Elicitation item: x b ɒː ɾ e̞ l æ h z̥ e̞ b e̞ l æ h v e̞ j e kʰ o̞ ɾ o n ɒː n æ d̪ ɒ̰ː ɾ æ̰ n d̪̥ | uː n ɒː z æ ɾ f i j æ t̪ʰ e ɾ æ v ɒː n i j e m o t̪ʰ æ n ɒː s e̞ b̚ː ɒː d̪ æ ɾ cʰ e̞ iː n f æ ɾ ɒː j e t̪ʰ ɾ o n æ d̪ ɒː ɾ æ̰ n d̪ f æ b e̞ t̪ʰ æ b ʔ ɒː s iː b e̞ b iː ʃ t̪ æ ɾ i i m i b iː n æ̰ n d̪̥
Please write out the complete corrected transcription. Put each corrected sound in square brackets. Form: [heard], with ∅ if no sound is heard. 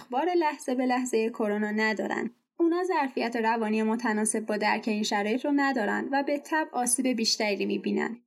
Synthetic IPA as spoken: x b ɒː ɾ e̞ l æ h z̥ e̞ b e̞ l æ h [z] e̞ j e kʰ o̞ ɾ o n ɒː n æ d̪ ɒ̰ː ɾ æ̰ n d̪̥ | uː n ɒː z æ ɾ f i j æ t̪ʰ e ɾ æ v ɒː n i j e m o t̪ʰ æ n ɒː s e̞ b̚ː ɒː d̪ æ ɾ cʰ e̞ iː n [ʃ] æ ɾ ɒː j e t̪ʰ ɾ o n æ d̪ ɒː ɾ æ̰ n d̪ [v] æ b e̞ t̪ʰ æ b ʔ ɒː s iː b e̞ b iː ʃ t̪ æ ɾ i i m i b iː n æ̰ n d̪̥